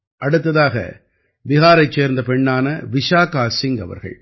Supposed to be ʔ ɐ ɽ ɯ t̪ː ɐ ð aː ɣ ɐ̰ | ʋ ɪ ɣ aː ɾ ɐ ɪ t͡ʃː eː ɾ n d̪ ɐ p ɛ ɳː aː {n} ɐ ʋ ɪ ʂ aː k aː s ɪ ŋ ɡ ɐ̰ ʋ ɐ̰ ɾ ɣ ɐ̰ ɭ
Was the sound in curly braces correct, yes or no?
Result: yes